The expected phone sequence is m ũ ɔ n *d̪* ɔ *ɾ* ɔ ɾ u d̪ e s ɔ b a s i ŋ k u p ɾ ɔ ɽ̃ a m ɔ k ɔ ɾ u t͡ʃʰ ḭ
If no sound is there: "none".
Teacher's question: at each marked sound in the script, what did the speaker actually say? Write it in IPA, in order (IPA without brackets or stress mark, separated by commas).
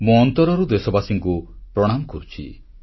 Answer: t̪, ɾ